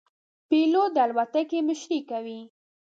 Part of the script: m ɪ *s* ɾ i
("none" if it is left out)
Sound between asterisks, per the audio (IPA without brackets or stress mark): ʃ